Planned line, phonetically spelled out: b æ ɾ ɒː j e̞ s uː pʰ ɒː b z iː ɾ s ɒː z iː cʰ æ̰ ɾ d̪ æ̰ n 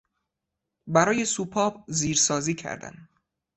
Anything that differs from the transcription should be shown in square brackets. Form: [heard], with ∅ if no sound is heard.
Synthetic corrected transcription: b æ ɾ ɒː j e̞ s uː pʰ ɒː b z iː ɾ s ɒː z iː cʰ æ̰ ɾ d̪ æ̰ n